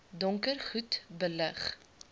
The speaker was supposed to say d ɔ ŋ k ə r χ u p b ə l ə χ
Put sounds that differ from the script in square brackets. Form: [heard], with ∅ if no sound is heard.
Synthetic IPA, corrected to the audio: d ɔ ŋ k ə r χ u [t] b ə l ə χ